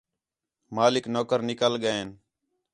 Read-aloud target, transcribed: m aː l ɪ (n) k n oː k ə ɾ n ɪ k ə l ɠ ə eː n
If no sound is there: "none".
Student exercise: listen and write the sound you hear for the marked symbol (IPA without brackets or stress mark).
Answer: none